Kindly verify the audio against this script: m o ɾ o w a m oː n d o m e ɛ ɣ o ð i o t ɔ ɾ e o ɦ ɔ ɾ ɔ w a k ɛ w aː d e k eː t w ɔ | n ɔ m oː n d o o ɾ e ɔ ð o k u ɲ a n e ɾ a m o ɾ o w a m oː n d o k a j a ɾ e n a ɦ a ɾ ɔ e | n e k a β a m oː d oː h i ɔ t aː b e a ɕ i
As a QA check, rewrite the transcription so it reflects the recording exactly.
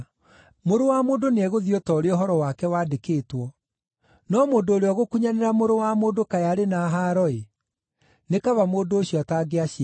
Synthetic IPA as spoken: m o ɾ o w a m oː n d o n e ɛ ɣ o ð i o t ɔ ɾ e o ɦ ɔ ɾ ɔ w a k ɛ w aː d e k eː t w ɔ | n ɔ m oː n d o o ɾ e ɔ ɣ o k u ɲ a n e ɾ a m o ɾ o w a m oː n d o k a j a ɾ e n a ɦ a ɾ ɔ e | n e k a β a m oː d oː ɕ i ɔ t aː ɡ e a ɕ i